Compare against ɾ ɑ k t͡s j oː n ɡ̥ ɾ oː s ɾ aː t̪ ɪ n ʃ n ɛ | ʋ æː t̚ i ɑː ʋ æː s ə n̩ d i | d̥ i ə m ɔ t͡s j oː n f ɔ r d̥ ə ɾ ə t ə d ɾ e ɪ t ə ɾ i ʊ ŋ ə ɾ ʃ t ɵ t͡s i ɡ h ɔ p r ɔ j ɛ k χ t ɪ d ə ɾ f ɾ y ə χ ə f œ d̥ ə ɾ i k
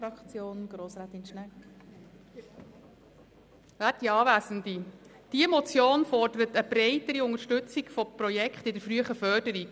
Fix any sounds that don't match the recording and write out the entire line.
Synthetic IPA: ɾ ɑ k t͡s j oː n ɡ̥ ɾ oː s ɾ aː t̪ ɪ n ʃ n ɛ | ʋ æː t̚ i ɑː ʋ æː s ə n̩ d i | d̥ i ə m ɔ t͡s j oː n f ɔ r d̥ ə ɾ ə t ə b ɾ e ɪ t ə ɾ i ʊ ŋ ə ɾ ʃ t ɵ t͡s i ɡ f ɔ p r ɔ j ɛ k χ t ɪ d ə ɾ f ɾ y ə χ ə f œ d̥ ə ɾ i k